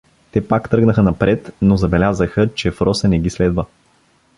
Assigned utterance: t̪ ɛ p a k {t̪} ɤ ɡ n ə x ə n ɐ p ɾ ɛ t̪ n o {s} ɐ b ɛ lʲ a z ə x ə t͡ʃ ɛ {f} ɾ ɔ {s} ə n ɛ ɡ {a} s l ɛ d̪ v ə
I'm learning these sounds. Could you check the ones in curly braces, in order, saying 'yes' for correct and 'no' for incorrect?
yes, no, yes, yes, no

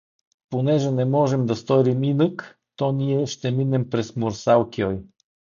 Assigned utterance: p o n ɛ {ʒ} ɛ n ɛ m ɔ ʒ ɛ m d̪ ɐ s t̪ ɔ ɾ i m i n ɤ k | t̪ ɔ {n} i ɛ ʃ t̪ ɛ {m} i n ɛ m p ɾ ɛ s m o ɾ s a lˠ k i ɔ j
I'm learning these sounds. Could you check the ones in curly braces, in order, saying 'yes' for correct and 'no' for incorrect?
yes, yes, yes

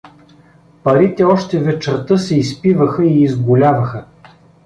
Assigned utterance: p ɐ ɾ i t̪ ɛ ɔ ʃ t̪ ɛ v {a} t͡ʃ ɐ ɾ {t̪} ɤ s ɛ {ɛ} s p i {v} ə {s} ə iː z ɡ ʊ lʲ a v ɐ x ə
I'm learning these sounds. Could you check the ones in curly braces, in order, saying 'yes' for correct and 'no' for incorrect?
no, yes, no, yes, no

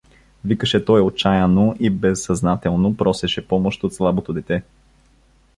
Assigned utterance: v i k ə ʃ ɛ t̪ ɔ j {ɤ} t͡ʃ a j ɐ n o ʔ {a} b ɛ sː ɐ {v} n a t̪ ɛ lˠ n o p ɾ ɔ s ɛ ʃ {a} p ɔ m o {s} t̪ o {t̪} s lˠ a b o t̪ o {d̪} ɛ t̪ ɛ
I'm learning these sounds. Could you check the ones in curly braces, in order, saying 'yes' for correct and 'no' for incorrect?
no, no, no, no, no, yes, yes

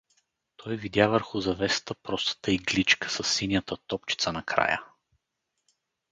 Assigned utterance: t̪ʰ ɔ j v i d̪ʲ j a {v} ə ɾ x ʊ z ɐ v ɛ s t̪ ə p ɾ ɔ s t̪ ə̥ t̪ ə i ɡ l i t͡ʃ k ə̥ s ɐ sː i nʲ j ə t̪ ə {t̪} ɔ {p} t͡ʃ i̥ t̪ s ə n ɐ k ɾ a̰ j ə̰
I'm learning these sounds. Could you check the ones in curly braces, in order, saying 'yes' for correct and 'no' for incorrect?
yes, yes, yes

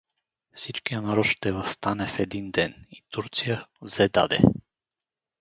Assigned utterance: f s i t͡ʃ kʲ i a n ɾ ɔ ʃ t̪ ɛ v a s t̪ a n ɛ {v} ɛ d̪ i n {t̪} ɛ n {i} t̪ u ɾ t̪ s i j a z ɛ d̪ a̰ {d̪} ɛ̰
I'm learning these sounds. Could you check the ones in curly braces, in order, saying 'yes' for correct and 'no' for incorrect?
no, no, yes, yes

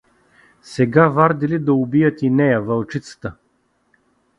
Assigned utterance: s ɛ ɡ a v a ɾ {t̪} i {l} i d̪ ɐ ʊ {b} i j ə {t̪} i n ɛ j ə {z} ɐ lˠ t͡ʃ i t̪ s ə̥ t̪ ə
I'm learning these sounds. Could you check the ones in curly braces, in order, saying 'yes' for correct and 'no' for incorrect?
no, yes, yes, yes, no

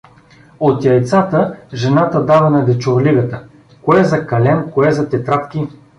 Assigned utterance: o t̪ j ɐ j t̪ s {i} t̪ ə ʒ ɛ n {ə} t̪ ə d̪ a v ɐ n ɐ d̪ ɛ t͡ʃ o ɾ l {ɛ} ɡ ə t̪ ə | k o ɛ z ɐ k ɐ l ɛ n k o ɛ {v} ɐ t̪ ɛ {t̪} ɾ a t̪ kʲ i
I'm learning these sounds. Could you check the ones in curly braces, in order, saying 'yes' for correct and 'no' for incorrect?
no, no, no, no, yes

